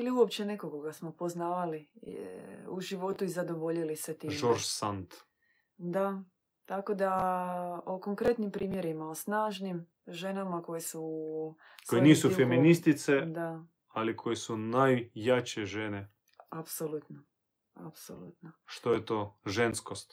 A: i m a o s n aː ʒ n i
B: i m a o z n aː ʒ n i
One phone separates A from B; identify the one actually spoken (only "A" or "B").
A